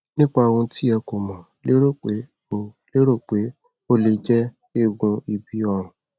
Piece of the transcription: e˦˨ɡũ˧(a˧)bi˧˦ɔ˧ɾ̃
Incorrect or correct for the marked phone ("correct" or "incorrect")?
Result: incorrect